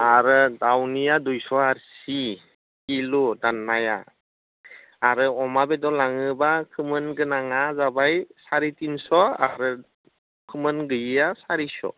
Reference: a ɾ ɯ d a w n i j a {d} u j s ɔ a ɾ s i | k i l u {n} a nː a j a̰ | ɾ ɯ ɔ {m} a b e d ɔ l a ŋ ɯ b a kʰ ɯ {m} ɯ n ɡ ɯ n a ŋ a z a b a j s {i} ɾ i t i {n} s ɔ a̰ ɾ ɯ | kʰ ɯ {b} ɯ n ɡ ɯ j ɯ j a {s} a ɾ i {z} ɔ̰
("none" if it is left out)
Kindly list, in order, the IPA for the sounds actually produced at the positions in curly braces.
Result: d, d, m, m, a, n, m, s, s

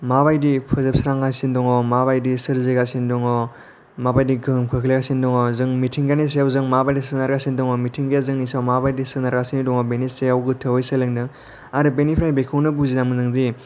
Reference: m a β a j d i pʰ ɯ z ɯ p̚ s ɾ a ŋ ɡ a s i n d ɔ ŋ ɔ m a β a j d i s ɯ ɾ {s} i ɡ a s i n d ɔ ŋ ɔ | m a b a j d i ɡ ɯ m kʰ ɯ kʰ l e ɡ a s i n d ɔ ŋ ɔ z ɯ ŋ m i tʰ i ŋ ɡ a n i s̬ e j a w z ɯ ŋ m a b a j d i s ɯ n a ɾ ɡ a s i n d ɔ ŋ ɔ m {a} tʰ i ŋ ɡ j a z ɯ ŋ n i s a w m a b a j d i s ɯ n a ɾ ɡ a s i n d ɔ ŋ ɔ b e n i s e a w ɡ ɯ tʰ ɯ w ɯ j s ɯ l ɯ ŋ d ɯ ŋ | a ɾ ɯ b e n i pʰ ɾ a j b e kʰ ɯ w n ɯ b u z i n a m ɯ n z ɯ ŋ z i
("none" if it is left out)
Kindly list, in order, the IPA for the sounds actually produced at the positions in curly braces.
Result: z, i

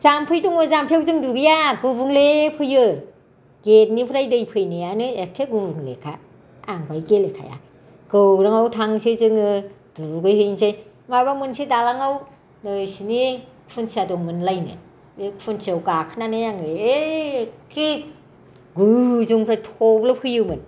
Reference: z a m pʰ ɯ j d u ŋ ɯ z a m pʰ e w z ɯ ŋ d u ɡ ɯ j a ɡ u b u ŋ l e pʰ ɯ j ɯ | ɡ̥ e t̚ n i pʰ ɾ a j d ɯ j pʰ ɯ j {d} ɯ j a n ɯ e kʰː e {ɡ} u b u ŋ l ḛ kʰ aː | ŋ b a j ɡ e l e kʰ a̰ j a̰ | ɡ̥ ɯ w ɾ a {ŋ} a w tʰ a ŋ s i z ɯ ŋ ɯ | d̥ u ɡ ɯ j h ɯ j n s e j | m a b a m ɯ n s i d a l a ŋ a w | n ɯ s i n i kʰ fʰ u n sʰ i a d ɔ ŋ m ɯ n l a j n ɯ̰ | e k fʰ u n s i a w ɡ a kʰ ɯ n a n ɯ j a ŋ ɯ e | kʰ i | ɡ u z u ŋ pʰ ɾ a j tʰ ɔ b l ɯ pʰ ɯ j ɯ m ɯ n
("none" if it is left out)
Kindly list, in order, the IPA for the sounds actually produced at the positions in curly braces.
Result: n, ɡ, ŋ

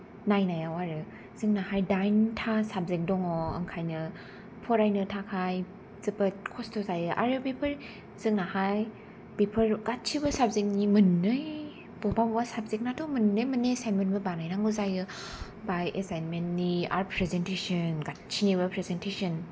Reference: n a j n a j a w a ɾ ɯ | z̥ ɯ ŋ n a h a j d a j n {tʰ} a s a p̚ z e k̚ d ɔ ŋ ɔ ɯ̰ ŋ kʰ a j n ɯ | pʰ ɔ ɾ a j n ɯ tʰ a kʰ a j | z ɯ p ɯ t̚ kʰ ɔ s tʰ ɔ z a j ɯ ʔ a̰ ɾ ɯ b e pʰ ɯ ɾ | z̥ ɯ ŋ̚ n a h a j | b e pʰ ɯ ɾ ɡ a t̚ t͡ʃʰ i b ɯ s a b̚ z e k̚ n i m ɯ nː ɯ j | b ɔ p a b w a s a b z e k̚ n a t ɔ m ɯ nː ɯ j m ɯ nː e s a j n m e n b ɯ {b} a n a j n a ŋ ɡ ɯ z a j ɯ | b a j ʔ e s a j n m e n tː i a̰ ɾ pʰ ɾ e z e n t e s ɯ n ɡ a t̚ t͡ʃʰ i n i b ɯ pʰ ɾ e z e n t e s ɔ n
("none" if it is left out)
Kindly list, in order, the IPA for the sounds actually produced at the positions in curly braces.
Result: tʰ, b

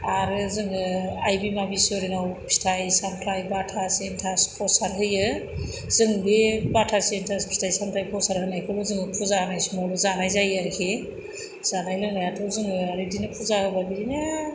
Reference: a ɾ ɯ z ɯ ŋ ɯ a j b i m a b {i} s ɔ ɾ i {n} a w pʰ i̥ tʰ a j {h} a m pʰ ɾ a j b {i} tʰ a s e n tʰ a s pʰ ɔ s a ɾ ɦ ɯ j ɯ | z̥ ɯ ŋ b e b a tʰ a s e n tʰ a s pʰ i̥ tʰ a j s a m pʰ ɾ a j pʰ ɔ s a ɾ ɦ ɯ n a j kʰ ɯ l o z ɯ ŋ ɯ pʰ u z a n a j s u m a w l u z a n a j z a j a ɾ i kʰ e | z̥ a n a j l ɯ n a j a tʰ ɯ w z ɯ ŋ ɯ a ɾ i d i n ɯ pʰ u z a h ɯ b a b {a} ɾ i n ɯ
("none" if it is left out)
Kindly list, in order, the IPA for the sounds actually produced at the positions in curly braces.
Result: i, n, s, a, i

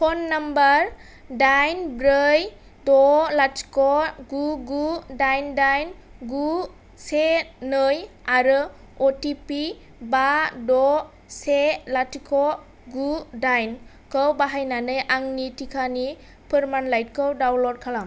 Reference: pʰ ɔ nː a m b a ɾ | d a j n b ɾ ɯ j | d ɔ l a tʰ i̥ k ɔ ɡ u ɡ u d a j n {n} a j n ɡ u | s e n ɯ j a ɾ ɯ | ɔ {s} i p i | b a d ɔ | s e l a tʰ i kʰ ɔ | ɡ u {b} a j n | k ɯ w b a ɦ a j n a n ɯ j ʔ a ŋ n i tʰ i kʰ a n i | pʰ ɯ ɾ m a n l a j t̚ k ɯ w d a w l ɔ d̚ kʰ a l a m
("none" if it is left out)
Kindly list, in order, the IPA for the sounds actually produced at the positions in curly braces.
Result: d, t, d

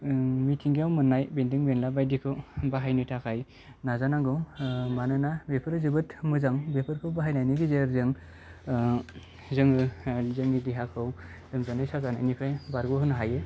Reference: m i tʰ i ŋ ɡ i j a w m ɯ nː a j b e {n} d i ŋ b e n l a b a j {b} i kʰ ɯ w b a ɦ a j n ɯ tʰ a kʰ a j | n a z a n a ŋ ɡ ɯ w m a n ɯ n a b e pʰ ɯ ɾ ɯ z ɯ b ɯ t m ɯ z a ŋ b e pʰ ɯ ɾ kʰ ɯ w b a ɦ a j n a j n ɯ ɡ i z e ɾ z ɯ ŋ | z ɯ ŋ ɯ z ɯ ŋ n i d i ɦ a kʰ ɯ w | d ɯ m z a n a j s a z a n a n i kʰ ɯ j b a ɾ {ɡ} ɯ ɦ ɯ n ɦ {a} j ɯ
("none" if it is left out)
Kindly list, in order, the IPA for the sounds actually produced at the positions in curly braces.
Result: n, d, ɡ, a

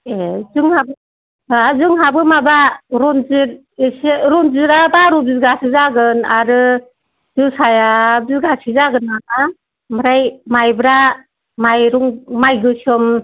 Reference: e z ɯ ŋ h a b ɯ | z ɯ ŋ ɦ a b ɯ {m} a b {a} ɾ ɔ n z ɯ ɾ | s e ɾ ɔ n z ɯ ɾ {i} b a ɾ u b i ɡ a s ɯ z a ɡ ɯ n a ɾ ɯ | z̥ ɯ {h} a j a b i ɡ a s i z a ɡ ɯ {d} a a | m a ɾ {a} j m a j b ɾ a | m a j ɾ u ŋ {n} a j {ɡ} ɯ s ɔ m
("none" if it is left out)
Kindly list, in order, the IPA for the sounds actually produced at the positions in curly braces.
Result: m, a, a, s, n, a, m, ɡ

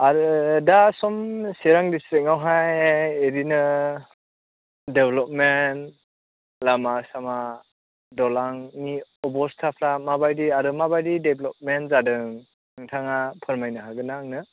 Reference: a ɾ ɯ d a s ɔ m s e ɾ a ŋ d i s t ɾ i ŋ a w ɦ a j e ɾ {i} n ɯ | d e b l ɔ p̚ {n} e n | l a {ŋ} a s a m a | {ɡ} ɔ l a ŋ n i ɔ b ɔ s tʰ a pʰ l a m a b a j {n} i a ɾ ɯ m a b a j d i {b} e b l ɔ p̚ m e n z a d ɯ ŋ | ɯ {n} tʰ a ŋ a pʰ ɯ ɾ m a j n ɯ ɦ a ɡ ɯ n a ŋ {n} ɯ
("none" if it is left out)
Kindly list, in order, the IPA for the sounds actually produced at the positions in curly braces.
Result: i, m, m, d, d, d, ŋ, n

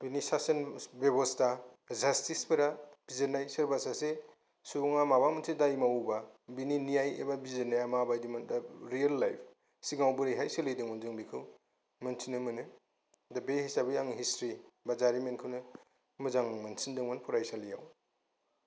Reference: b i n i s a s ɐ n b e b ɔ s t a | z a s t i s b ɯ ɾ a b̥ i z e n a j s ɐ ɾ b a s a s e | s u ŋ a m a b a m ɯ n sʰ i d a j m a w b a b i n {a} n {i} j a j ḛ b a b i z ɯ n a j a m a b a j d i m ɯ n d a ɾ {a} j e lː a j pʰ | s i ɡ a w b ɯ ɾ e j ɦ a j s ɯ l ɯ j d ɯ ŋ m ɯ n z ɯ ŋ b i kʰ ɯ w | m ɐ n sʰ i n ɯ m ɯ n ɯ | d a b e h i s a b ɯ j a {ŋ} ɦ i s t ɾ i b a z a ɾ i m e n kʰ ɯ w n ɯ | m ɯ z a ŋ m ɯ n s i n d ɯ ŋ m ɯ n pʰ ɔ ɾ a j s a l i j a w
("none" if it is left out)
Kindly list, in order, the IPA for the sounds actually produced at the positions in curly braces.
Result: i, i, i, ŋ

